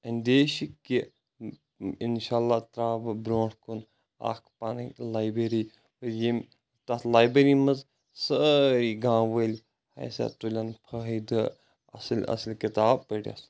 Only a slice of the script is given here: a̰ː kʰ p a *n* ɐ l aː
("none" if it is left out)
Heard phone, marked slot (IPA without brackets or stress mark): n